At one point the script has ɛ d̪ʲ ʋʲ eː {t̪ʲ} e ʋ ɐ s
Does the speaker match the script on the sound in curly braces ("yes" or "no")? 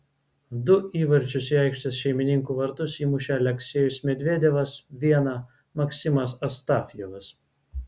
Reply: no